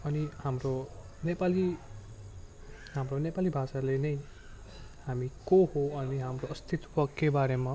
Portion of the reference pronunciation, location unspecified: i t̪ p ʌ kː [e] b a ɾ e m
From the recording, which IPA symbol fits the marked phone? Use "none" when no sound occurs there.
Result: e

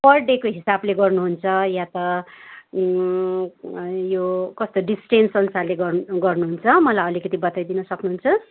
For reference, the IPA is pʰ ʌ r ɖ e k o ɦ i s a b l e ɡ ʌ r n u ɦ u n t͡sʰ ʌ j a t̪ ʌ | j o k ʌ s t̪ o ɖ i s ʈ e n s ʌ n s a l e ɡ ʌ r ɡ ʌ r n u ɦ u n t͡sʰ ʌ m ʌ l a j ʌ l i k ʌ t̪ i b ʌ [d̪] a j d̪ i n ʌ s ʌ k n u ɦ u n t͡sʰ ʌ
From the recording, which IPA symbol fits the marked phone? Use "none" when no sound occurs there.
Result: t̪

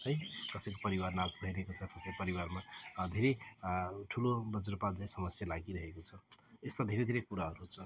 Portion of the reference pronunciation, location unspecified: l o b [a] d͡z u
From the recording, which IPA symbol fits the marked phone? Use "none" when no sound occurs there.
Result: ʌ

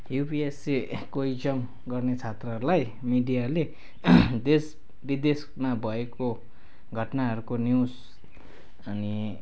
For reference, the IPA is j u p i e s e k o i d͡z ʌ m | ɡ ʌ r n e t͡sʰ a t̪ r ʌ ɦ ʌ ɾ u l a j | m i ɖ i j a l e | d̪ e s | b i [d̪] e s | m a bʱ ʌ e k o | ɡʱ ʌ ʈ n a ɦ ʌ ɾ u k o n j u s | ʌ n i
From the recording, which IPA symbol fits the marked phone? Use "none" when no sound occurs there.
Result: d̪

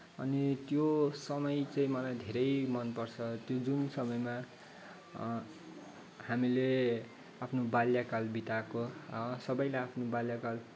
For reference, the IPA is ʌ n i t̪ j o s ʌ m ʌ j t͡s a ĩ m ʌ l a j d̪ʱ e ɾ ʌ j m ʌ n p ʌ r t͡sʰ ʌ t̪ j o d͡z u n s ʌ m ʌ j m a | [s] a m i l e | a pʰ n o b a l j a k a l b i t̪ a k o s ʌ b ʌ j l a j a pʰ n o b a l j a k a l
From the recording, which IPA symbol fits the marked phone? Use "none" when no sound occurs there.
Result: h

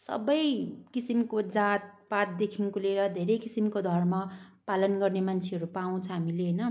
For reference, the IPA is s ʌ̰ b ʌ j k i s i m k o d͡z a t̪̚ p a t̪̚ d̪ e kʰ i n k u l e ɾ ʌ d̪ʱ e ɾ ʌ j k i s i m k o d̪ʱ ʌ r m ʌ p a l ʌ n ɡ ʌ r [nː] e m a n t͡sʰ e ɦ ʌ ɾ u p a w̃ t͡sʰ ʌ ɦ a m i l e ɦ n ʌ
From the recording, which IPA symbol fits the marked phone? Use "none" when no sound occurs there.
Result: n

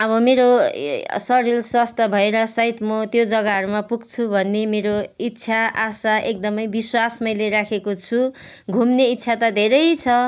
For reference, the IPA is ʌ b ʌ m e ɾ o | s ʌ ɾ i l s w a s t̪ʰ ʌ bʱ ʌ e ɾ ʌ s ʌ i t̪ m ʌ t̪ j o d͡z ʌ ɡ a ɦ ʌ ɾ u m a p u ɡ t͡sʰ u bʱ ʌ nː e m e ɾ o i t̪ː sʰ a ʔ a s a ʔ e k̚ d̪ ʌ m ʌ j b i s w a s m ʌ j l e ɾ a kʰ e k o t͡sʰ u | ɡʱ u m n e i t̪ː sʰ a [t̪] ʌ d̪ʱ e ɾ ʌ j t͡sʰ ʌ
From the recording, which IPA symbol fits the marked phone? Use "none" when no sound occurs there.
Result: t̪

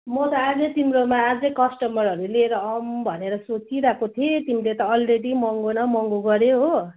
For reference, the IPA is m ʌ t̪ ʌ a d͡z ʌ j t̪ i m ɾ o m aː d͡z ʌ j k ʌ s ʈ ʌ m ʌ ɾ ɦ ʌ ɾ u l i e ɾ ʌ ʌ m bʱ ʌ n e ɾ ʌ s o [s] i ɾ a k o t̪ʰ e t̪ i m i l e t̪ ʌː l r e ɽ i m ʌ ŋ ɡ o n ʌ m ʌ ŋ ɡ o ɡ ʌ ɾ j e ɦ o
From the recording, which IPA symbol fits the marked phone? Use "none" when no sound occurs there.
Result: t͡s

